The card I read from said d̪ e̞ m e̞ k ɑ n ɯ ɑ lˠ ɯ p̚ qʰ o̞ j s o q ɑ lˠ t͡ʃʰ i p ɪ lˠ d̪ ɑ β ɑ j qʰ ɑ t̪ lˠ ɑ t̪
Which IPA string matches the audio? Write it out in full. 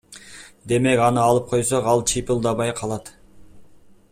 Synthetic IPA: d̪ e̞ m e̞ k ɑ n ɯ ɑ lˠ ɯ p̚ qʰ o̞ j s o q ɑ lˠ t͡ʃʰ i p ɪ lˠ d̪ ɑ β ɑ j qʰ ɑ lˠ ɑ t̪